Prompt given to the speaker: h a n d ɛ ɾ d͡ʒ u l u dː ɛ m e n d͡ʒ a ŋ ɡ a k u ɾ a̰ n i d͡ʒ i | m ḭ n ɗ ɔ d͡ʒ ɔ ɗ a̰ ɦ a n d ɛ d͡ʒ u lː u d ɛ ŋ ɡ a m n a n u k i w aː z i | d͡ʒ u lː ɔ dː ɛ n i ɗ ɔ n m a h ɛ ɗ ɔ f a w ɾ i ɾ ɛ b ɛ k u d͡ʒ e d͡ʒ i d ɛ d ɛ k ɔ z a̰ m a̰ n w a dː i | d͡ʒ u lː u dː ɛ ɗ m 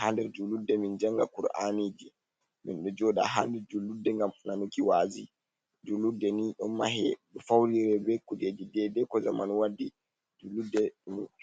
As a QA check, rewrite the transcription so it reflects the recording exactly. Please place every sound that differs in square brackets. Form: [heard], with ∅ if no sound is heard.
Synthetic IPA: h a n d ɛ ɾ d͡ʒ u l u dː ɛ m [i] n d͡ʒ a ŋ ɡ a k u ɾ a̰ n i d͡ʒ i | m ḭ n ɗ ɔ d͡ʒ ɔ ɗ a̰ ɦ a n d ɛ d͡ʒ u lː u d ɛ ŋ ɡ a m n a n u k i w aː z i | d͡ʒ u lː [u] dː ɛ n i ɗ ɔ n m a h ɛ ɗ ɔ f a w ɾ i ɾ ɛ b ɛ k u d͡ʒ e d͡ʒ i d ɛ d ɛ k ɔ z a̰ m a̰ n w a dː i | d͡ʒ u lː u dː ɛ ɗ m